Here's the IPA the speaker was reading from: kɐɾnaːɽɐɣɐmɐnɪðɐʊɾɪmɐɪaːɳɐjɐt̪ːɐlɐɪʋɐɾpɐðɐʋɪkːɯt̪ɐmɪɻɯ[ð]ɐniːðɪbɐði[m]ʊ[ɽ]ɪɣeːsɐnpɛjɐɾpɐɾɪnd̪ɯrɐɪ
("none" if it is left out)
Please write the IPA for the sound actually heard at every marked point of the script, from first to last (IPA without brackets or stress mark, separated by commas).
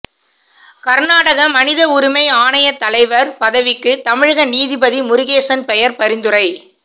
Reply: ɣ, m, ɾ